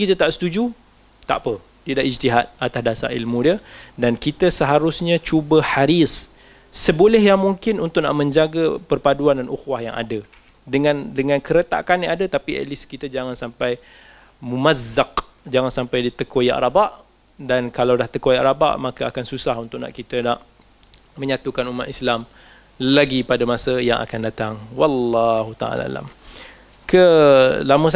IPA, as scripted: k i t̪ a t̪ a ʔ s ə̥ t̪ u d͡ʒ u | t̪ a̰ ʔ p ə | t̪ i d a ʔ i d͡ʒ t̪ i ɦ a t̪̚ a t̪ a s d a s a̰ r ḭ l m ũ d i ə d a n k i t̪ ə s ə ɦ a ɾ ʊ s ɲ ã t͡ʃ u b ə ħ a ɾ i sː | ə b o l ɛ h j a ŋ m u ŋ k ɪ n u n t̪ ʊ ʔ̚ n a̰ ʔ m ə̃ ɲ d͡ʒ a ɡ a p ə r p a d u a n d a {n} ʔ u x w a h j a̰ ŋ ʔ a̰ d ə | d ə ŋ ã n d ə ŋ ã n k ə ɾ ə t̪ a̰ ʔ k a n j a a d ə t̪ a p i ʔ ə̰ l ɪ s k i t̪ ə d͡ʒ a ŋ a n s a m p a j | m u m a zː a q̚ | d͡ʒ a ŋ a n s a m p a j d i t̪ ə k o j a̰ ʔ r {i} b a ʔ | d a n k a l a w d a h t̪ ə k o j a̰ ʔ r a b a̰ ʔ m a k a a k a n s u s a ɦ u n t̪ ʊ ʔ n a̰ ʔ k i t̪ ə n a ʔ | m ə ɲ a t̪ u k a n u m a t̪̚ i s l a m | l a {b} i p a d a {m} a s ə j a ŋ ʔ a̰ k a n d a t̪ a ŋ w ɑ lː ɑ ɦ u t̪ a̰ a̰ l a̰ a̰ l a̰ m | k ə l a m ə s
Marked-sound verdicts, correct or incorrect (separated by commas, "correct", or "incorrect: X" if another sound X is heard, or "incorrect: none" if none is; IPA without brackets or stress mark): correct, incorrect: a, incorrect: ɡ, correct